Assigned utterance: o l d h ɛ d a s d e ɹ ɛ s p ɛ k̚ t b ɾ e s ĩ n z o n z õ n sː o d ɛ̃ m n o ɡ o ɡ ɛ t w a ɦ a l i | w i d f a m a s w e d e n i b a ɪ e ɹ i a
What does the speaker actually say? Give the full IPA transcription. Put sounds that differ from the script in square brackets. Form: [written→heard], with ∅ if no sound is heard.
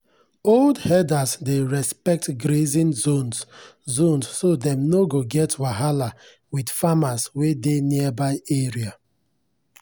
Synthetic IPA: o l d h ɛ d a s d e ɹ ɛ s p ɛ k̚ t [b→ɡ] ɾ e [s→z] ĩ n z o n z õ n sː o d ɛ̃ m n o ɡ o ɡ ɛ t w a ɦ a l [i→a] | w i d f a m a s w e d e n i b a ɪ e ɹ i a

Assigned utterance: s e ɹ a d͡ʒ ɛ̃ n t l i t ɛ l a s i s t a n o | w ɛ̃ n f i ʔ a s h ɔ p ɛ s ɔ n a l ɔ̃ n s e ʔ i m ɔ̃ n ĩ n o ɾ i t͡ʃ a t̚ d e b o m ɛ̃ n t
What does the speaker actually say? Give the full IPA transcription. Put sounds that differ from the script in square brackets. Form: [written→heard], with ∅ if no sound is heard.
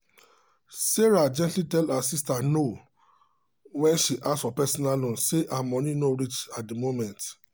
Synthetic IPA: s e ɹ a d͡ʒ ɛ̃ n t l i t ɛ l a s i s t a n o | w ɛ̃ n [f→ʃ] i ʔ a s [h→f] ɔ p ɛ s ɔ n a l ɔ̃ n s e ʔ [i→a] m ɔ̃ n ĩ n o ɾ i t͡ʃ a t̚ d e [b→m] o m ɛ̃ n t

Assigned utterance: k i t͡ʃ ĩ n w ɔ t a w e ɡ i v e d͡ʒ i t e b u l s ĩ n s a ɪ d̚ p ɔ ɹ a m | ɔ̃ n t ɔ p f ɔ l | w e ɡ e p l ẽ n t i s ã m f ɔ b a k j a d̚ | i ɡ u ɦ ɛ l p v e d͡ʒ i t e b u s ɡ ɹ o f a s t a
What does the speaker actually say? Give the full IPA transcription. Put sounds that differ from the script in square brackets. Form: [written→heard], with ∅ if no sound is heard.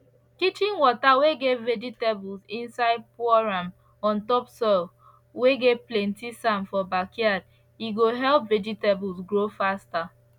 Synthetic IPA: k i t͡ʃ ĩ n w ɔ t a w e ɡ [i→e] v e d͡ʒ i t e b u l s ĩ n s a ɪ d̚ p ɔ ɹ a m | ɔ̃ n t ɔ p [f→s] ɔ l | w e ɡ e p l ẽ n t i s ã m f ɔ b a k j a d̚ | i ɡ [u→o] ɦ ɛ l p v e d͡ʒ i t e b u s ɡ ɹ o f a s t a

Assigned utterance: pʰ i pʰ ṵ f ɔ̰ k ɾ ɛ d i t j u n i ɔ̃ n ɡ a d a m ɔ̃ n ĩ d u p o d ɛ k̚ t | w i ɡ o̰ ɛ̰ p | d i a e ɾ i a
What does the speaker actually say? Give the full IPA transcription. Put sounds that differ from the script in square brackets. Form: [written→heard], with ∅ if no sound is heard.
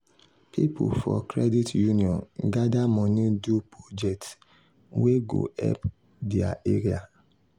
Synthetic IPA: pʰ i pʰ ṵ f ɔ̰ k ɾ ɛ d i t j u n i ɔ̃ n ɡ a d a m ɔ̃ n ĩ d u p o [d→d͡ʒ] ɛ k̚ t | w [i→e] ɡ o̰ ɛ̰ p | d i a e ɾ i a

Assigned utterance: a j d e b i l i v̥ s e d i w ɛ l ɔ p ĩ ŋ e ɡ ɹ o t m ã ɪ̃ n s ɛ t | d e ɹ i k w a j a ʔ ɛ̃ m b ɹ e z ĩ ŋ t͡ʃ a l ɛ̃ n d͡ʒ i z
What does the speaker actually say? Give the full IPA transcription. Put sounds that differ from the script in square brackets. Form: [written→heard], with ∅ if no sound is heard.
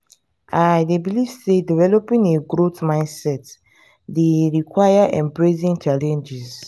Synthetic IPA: a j d e b i l i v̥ s e d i [w→v] ɛ l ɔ p ĩ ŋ e ɡ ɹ o t m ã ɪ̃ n s ɛ t | d e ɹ i k w a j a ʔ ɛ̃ m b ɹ e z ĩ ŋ t͡ʃ a l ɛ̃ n d͡ʒ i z

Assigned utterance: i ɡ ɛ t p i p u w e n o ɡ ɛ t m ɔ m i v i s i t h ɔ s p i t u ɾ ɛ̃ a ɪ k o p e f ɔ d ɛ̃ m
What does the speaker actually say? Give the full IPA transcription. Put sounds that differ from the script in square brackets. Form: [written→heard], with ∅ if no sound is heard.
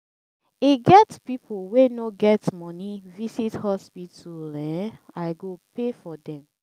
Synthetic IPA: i ɡ ɛ t p i p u w e n o ɡ ɛ t m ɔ [m→n] i v i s i t h ɔ s p i t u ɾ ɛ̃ a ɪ [k→ɡ] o p e f ɔ d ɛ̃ m

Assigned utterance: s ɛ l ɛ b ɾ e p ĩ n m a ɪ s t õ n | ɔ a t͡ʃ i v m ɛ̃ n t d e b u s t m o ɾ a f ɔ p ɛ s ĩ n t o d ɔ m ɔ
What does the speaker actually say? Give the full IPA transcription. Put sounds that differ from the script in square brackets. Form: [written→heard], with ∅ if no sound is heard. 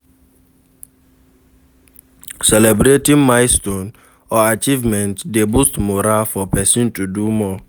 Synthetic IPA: s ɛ l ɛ b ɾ e [p→t] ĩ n m a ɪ s t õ n | ɔ a t͡ʃ i v m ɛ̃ n t d e b u s t m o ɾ a f ɔ p ɛ s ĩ n t [o→u] d [ɔ→u] m ɔ

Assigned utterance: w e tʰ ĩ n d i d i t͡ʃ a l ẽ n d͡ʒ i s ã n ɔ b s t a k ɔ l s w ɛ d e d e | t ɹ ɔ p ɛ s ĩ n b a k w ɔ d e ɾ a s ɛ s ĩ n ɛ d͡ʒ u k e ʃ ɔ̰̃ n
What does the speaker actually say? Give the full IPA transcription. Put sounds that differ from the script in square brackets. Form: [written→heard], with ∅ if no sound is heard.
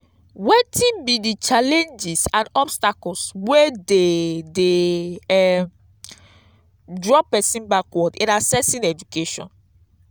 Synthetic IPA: w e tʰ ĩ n [d→b] i d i t͡ʃ a l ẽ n d͡ʒ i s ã n ɔ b s t a k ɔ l s w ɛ d e d e | [t→d] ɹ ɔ p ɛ s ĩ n b a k w ɔ d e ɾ a s ɛ s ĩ n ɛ d͡ʒ u k e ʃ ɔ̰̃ n

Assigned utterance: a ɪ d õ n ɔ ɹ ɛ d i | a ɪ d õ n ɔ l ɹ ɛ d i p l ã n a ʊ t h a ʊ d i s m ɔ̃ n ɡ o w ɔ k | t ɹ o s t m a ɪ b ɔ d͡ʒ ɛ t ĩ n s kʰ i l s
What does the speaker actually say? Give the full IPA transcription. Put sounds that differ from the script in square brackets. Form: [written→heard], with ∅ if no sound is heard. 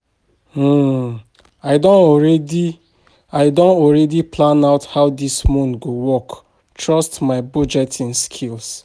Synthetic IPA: a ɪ d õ n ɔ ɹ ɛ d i | a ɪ d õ n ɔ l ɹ ɛ d i p l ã n a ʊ t h a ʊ d i s m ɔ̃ n ɡ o w ɔ k | t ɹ [o→ɔ] s t m a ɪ b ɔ d͡ʒ ɛ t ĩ n s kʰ i l s

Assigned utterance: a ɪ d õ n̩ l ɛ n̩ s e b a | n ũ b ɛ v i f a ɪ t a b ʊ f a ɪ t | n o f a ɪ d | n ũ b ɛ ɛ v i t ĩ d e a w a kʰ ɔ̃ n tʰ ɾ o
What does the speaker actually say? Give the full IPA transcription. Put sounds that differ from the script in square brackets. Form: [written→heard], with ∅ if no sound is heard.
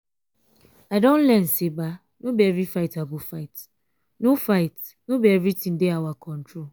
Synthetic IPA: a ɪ d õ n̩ l ɛ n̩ s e b a | n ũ b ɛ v i f a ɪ t a b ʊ f a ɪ t | n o f a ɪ [d→t] | n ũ b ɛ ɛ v i t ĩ d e a w a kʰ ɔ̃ n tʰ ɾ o

